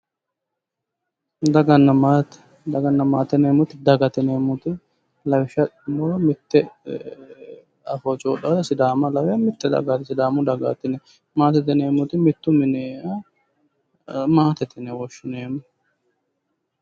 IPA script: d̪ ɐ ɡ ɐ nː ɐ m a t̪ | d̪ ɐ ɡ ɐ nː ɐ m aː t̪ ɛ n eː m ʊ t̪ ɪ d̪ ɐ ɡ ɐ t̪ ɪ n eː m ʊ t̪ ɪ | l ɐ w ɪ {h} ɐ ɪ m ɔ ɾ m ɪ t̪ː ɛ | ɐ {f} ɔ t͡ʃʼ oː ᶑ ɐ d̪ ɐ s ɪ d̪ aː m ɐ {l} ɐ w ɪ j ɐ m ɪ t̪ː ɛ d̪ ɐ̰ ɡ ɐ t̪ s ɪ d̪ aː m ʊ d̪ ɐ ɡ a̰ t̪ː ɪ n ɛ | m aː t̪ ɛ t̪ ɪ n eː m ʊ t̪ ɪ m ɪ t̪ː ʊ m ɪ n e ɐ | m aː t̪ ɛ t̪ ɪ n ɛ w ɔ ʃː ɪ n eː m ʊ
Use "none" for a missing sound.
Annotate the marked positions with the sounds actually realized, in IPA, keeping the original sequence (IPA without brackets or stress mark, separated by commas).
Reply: ʃ, f, l